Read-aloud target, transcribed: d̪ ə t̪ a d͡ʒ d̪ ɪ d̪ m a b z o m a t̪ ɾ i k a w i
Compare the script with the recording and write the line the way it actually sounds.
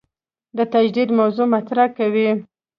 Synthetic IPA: d̪ ə t̪ a d͡ʒ d̪ i d̪ m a w z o m a t̪ ɾ a k a w i